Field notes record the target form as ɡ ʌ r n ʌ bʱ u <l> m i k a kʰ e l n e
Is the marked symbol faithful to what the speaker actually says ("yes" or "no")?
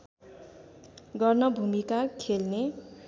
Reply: no